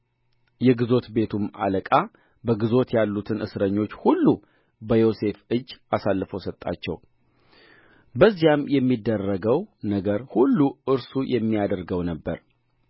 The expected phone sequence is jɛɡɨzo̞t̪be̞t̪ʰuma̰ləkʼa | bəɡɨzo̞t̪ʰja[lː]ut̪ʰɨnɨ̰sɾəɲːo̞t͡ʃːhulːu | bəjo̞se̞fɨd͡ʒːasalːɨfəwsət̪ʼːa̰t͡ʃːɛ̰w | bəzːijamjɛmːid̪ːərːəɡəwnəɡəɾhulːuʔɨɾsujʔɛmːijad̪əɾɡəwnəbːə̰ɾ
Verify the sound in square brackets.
correct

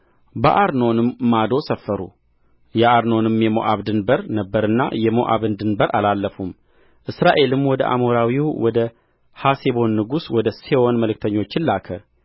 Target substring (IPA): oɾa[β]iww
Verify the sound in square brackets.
incorrect: w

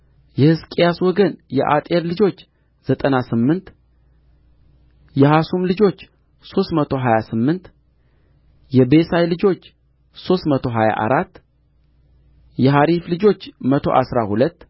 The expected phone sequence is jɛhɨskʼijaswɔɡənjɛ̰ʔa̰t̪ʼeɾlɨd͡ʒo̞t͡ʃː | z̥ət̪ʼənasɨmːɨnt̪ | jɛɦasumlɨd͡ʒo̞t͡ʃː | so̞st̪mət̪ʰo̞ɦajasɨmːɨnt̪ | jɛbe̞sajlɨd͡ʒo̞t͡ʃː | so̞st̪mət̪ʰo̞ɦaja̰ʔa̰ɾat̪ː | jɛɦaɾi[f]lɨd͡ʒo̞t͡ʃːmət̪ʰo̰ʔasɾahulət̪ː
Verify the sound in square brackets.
correct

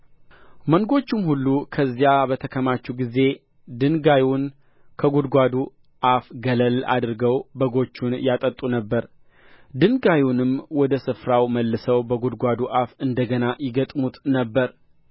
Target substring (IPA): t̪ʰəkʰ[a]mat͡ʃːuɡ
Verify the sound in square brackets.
incorrect: ə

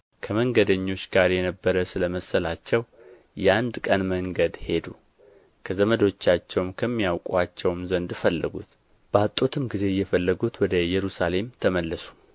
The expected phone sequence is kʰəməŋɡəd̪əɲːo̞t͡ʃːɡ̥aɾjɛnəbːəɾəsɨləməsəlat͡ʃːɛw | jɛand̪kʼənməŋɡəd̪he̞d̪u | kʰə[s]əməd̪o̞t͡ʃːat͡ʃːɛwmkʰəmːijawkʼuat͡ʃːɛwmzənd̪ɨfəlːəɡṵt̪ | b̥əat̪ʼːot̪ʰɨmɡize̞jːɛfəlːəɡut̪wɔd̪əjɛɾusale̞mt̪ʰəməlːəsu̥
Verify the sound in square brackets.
incorrect: z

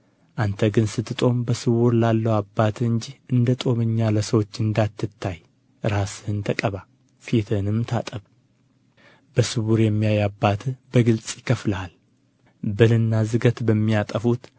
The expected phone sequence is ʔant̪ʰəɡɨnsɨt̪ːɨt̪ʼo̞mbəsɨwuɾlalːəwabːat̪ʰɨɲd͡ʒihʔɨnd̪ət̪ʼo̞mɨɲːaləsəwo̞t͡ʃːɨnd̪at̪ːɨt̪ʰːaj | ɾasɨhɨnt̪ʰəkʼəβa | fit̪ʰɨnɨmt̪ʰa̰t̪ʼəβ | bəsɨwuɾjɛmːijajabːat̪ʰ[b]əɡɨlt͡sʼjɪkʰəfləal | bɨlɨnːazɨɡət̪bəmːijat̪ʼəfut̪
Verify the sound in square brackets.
correct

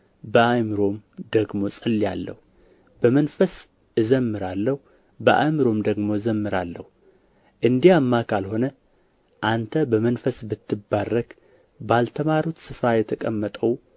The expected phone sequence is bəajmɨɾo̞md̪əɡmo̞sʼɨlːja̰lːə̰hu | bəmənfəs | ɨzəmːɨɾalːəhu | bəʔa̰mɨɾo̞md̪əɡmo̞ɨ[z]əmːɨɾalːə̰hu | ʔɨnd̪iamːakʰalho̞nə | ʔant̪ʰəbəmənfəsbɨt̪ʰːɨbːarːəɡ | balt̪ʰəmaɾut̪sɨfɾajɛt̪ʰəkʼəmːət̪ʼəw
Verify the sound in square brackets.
correct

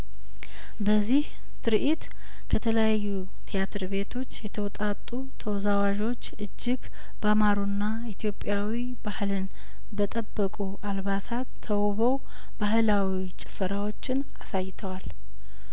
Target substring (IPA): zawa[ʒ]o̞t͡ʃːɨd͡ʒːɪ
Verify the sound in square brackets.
correct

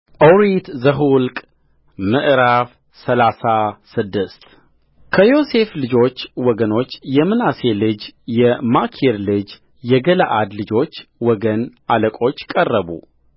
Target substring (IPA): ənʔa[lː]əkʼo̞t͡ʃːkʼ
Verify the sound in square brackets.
incorrect: l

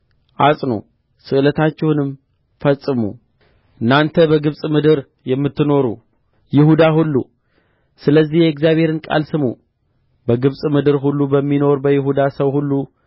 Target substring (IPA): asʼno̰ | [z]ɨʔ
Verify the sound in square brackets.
incorrect: s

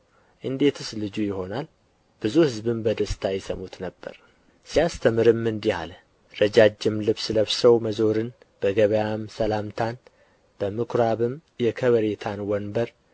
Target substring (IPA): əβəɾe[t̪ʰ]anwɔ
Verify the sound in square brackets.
correct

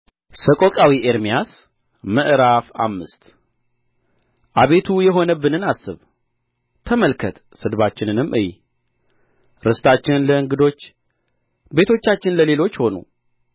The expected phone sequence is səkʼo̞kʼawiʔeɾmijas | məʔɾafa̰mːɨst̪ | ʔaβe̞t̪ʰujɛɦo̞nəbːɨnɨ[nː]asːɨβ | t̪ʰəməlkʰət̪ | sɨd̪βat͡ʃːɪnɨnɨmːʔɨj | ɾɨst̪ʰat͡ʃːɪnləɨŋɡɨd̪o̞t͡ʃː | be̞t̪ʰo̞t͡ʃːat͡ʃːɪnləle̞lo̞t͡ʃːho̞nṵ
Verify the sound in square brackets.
incorrect: n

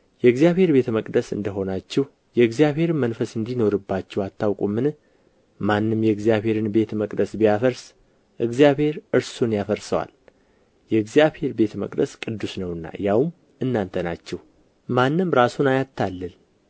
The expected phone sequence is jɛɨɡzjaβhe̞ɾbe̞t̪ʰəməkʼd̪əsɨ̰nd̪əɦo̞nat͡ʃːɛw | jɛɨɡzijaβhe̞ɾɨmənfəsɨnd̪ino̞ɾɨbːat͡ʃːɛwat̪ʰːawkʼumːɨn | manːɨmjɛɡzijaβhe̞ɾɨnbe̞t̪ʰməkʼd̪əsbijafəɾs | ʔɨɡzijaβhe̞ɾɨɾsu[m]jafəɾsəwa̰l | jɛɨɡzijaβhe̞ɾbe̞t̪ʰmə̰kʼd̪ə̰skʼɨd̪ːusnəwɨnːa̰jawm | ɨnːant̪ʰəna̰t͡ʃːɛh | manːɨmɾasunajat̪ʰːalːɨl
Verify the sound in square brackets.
incorrect: n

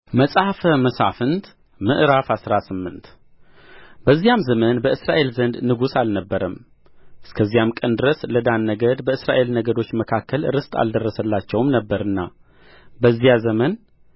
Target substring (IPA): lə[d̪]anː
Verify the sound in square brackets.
correct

